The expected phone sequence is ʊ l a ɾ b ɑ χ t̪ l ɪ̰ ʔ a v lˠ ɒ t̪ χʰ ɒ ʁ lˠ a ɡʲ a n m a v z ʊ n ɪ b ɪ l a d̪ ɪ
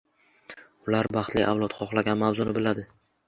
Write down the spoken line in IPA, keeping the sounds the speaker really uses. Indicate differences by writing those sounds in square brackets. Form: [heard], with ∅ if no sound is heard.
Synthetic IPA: ʊ l a ɾ b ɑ χ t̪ l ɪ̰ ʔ a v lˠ ɒ t̪ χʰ ɒ [χ] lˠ a ɡʲ a n m a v z ʊ n ɪ b ɪ l a d̪ ɪ